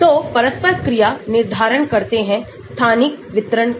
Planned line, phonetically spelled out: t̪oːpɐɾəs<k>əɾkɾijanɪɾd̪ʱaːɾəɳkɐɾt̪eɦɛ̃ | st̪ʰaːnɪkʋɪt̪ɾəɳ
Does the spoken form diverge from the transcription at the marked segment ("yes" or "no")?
yes